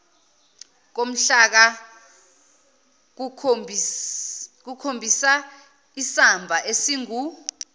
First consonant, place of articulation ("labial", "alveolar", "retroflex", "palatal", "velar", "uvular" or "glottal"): velar